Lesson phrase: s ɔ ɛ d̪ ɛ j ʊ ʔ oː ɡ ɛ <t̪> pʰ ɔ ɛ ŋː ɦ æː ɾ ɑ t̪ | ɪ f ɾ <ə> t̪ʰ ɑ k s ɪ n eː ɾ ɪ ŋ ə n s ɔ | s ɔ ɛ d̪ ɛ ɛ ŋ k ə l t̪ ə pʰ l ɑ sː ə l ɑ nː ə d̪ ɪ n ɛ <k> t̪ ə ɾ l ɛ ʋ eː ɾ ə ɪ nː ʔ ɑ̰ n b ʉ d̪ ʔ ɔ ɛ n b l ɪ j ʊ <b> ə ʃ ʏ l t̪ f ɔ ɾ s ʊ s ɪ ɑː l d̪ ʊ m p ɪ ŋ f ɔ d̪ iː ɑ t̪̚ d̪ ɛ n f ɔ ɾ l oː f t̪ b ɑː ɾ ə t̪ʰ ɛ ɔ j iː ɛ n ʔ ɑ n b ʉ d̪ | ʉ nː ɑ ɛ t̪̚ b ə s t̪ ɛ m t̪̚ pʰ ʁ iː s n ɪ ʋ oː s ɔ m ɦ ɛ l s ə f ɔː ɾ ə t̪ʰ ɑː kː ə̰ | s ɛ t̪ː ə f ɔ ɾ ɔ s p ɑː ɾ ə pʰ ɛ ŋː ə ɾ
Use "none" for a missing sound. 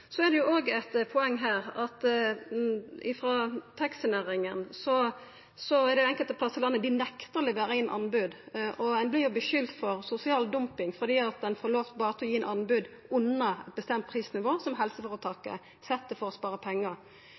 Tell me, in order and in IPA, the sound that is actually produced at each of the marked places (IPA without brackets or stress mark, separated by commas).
t̪, ɑ, k, b